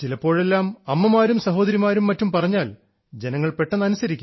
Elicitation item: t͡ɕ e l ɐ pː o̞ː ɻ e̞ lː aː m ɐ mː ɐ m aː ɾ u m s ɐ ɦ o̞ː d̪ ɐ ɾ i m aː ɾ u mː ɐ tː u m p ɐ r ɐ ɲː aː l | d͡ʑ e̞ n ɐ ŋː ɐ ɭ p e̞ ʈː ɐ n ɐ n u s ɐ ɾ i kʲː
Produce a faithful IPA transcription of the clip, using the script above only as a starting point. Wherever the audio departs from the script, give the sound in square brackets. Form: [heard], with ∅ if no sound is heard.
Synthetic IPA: t͡ɕ [i] l ɐ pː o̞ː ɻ e̞ lː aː m ɐ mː ɐ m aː ɾ u m s ɐ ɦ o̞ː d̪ ɐ ɾ i m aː ɾ u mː ɐ tː u m p ɐ r ɐ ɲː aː l | d͡ʑ e̞ n ɐ ŋː ɐ ɭ p e̞ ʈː ɐ n ɐ n u s ɐ ɾ i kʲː